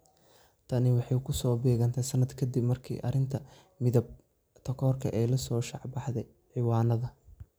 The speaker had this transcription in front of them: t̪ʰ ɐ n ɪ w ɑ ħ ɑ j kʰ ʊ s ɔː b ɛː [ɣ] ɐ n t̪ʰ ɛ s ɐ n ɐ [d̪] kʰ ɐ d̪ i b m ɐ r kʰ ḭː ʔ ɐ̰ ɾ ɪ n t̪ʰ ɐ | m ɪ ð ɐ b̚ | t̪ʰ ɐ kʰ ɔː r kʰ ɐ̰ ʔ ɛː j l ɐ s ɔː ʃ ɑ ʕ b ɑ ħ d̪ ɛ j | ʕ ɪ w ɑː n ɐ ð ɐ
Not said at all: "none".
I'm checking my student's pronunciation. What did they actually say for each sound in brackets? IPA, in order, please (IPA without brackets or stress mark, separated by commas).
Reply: ɣ, d̪